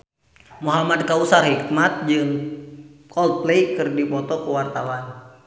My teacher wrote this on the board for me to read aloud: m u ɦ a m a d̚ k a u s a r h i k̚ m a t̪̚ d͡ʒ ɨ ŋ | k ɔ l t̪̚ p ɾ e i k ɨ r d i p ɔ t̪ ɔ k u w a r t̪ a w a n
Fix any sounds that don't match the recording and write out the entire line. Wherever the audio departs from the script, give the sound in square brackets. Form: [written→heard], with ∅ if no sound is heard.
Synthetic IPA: m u ɦ a m a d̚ k a u s a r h i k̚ m a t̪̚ d͡ʒ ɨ ŋ | k ɔ l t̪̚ p [ɾ→l] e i k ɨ r d i p ɔ t̪ ɔ k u w a r t̪ a w a n